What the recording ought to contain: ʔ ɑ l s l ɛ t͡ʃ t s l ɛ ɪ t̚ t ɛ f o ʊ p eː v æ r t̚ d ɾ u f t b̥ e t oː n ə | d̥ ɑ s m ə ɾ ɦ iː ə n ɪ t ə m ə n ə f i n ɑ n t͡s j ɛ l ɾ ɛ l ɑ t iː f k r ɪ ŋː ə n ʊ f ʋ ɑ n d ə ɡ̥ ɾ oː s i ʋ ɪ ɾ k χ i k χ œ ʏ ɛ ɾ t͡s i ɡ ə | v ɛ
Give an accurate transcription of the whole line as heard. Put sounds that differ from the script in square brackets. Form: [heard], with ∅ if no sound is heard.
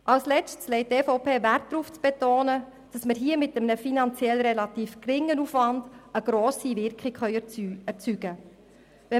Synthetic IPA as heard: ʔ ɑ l s l ɛ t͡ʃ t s l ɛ ɪ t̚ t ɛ f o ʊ p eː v æ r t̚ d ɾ u f [t͡s] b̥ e t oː n ə | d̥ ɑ s m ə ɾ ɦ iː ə [m] ɪ t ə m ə n ə f i n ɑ n t͡s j ɛ l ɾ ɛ l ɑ t iː f k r ɪ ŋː ə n [u] f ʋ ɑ n d ə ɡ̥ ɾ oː s i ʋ ɪ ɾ k χ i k χ œ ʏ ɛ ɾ t͡s [y] ɡ ə | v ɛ